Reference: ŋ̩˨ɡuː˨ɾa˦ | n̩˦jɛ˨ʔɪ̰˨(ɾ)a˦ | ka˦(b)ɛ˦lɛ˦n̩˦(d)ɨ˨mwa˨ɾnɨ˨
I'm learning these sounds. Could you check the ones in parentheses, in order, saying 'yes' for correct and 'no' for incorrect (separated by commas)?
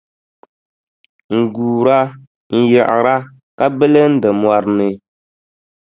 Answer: yes, yes, yes